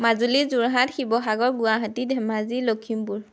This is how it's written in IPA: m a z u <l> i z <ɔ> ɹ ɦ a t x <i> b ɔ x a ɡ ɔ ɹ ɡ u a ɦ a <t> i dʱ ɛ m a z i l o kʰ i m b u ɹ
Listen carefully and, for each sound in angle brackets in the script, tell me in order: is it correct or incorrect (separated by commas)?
correct, incorrect, correct, correct